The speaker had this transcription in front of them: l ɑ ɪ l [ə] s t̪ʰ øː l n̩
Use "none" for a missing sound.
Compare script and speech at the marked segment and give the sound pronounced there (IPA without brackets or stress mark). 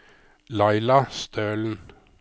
ɑ